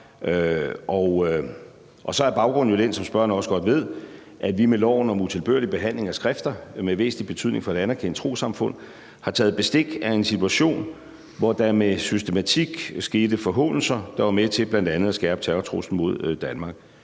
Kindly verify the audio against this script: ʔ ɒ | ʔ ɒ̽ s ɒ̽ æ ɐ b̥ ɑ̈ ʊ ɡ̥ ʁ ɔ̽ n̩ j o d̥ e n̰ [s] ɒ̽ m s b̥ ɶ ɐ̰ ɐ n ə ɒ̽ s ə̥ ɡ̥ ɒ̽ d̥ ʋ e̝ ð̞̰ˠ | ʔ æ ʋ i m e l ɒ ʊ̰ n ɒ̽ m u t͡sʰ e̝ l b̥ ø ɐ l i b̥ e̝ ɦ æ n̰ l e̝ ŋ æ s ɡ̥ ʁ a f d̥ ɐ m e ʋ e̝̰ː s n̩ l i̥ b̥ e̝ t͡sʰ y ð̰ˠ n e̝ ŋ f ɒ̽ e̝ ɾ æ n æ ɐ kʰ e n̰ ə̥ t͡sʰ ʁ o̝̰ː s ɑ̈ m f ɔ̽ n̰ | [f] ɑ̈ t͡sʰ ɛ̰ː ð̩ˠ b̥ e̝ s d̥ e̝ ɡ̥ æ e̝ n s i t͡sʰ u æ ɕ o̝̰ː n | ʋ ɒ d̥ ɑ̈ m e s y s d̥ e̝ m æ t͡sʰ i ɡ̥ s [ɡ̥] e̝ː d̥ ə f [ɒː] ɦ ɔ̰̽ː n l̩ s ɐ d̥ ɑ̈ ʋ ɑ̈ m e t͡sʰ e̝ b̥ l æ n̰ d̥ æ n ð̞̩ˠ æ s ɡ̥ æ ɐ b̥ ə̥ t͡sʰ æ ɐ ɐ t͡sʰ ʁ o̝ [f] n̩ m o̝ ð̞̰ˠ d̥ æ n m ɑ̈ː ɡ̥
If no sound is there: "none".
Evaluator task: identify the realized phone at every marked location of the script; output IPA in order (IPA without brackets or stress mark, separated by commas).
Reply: s, h, ɡ̥, ɒ, s